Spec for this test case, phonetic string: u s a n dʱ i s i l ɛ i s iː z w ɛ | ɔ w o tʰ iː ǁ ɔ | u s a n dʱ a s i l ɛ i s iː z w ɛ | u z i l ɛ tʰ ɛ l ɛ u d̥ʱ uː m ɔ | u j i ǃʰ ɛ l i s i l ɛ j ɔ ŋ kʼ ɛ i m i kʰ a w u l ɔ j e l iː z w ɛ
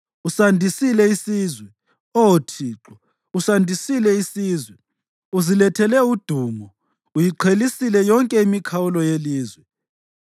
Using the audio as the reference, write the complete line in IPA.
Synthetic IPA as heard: u s a n dʱ i s i l ɛ i s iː z w ɛ | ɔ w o tʰ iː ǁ ɔ | u s a n dʱ i s i l ɛ i s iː z w ɛ | u z i l ɛ tʰ ɛ l ɛ u d̥ʱ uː m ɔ | u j i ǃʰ e l i s i l ɛ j ɔ ŋ kʼ ɛ i m i kʰ a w u l ɔ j e l iː z w ɛ